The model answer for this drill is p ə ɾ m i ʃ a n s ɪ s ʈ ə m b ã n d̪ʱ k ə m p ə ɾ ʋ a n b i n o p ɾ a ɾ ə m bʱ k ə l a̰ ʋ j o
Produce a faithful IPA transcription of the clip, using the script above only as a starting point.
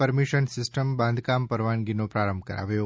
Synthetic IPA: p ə ɾ m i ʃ ə n s ɪ s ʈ ə m b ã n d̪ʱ k a m p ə ɾ ʋ a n ɡ i n o p ɾ a ɾ ə m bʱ k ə ɾ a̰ ʋ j o